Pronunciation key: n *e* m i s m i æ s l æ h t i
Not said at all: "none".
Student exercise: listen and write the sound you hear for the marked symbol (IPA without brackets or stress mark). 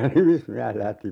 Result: i